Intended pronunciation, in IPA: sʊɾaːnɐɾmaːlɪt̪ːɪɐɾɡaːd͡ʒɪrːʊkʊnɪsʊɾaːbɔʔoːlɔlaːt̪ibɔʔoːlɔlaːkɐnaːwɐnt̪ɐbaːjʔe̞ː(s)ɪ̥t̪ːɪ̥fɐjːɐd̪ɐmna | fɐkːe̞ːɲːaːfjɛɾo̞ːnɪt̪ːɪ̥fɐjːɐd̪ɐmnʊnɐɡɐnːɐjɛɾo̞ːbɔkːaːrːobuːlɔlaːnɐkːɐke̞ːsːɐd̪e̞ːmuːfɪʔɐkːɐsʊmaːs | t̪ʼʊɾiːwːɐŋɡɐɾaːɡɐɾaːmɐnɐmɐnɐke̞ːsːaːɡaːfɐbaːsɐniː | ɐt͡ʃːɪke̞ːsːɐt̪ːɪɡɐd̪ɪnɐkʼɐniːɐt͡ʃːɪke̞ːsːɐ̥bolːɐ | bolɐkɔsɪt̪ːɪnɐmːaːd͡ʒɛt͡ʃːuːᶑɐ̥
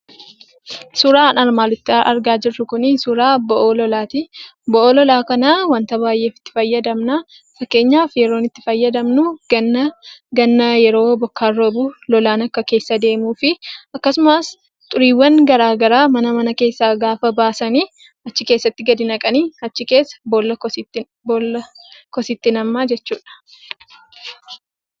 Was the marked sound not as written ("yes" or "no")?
yes